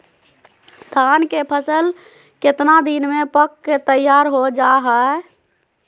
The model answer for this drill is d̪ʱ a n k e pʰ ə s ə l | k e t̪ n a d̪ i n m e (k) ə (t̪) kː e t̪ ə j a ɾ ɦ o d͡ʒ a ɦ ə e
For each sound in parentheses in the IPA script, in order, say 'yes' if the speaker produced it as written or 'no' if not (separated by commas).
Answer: no, no